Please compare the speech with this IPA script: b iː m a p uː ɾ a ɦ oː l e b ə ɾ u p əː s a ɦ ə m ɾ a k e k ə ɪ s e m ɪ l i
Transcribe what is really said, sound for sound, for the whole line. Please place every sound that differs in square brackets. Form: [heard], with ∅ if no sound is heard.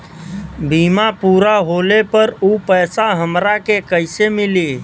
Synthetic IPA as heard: b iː m a p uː ɾ a ɦ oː l e [p] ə ɾ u p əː s a ɦ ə m ɾ a k e k ə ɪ s e m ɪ l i